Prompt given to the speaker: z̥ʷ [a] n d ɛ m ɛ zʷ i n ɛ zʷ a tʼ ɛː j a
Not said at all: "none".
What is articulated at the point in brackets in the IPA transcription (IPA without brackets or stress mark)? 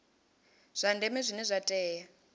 a